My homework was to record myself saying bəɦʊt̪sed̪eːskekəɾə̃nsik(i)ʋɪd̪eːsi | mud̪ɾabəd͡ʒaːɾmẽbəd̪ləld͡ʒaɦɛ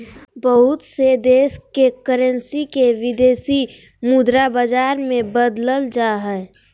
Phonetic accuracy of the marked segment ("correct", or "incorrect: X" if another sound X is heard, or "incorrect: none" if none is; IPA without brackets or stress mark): incorrect: e